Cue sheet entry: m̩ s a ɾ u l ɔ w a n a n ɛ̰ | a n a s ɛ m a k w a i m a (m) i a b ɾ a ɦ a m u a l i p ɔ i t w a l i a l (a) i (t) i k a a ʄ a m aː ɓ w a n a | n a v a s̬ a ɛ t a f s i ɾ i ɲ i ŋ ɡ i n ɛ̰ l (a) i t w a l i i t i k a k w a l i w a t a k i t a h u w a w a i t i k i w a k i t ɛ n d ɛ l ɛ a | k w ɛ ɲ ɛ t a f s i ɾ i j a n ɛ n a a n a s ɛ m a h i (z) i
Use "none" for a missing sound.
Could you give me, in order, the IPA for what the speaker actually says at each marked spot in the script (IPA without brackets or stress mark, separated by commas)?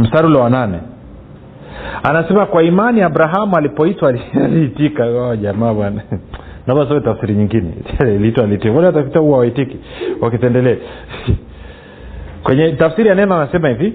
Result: n, i, t, i, v